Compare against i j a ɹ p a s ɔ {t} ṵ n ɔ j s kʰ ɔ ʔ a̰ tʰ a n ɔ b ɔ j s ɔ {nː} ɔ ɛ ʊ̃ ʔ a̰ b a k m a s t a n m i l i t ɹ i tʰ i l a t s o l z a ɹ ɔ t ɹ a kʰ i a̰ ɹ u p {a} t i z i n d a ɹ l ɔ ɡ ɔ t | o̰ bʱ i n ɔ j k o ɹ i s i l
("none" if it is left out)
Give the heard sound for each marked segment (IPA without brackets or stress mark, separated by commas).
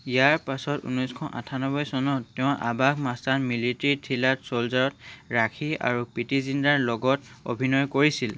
t, n, i